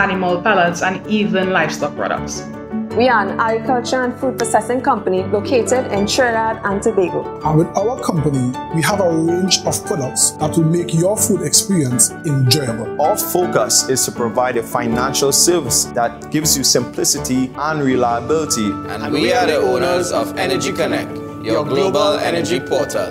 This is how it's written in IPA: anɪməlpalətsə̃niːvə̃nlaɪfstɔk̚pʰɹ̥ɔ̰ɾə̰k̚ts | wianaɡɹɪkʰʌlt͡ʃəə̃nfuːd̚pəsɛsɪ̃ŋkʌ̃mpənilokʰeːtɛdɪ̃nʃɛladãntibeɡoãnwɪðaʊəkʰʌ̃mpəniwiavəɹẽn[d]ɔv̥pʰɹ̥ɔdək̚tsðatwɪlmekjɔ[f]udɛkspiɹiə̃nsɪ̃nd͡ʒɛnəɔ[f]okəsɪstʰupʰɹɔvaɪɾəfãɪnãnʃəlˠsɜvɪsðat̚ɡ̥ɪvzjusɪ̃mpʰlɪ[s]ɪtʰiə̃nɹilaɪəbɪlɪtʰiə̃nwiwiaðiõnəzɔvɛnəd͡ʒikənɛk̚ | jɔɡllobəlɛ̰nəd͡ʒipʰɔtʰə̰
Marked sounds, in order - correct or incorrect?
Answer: incorrect: d͡ʒ, correct, correct, correct

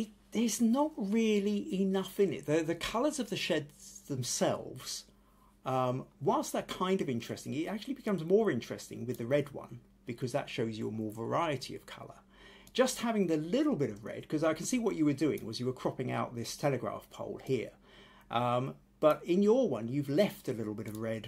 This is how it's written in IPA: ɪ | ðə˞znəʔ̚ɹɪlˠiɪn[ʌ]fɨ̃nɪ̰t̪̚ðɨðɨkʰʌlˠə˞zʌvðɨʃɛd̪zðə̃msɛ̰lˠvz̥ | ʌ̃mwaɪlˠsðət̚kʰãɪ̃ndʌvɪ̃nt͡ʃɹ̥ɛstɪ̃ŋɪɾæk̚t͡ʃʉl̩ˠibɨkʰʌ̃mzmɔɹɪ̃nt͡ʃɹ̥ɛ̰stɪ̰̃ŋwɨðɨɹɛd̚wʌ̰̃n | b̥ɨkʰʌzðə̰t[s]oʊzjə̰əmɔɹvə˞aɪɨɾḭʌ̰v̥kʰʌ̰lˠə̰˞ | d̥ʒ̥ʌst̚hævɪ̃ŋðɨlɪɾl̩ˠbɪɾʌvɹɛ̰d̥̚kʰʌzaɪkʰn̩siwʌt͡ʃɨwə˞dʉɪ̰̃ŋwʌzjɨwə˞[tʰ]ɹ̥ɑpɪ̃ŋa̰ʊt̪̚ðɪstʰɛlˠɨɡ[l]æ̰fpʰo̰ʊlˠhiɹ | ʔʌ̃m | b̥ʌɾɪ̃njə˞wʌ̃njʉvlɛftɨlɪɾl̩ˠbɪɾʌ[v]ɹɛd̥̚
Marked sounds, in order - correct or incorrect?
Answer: correct, incorrect: ʃ, incorrect: kʰ, incorrect: ɹ, correct

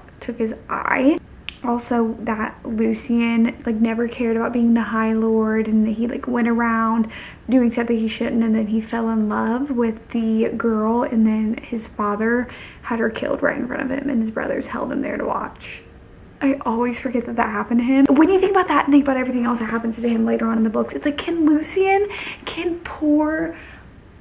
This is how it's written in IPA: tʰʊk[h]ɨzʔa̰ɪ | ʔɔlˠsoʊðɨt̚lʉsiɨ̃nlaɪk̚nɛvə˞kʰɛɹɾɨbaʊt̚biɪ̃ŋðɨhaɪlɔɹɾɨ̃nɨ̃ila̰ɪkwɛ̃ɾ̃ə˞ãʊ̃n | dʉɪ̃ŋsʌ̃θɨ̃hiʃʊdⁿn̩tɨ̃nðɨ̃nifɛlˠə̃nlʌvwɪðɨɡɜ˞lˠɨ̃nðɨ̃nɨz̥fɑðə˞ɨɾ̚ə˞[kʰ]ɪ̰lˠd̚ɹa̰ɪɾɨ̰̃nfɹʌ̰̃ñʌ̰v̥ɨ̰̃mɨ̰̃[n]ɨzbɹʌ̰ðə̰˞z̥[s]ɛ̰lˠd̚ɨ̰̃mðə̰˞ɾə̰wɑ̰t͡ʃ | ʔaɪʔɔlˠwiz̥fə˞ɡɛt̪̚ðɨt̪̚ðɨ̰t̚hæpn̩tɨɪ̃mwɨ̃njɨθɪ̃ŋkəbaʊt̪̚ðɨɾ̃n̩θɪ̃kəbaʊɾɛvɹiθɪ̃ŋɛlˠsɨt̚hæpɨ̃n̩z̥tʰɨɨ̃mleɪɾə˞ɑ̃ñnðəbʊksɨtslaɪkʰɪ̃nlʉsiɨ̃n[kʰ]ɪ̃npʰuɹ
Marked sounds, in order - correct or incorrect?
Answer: correct, correct, correct, incorrect: h, correct

